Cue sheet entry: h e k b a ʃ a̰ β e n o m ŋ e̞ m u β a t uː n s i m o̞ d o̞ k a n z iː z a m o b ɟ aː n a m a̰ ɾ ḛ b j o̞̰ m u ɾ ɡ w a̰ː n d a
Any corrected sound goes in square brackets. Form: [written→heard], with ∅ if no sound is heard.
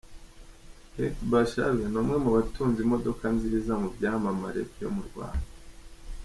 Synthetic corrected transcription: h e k b a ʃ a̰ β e n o m ŋ e̞ m u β a t uː n [s→z] i m o̞ d o̞ k a n z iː z a m [o→u] b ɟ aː [n→m] a m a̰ ɾ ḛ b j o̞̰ m u ɾ ɡ w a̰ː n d a